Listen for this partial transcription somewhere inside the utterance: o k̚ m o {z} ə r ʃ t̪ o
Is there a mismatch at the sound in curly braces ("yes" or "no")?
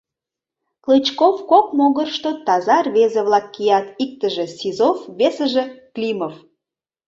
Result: yes